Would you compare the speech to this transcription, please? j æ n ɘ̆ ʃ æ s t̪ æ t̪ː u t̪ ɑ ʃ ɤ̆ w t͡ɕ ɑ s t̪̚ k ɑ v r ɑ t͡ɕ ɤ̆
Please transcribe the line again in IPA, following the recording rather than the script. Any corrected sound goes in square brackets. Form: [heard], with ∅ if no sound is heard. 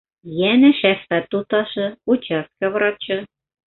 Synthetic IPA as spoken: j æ n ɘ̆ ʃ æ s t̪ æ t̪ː u t̪ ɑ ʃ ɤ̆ [u] t͡ɕ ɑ s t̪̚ k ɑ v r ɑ t͡ɕ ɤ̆